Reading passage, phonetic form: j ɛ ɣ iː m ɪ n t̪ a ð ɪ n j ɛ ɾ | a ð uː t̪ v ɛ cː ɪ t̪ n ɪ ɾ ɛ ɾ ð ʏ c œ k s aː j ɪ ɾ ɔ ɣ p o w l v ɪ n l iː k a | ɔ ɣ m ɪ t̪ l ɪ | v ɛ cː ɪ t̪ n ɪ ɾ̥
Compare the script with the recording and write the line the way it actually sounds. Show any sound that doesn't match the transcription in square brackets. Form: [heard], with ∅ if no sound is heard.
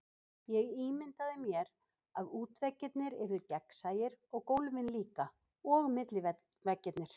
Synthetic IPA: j ɛ ɣ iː m ɪ n t̪ a ð ɪ [m] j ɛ ɾ | a ð uː t̪ v ɛ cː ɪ t̪ n ɪ ɾ ɛ ɾ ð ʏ c [ɛ] k s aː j ɪ ɾ ɔ ɣ [k] o w l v ɪ n l iː k a | ɔ ɣ m ɪ t̪ l ɪ | v ɛ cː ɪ t̪ n ɪ ɾ̥